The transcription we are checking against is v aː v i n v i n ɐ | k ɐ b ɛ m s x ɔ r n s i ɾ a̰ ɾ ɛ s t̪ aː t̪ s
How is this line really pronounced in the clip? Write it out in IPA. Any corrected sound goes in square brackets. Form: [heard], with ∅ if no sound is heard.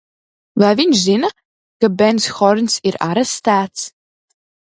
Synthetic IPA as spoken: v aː v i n [z] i n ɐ | k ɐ b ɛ [n] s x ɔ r n s i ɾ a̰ ɾ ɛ s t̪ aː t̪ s